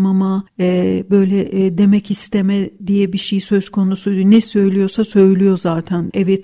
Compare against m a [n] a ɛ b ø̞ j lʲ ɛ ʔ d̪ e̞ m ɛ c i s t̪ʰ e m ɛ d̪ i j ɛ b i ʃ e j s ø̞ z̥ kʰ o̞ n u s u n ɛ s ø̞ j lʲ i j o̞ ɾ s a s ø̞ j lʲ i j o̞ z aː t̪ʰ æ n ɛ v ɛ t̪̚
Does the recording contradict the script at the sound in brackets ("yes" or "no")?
yes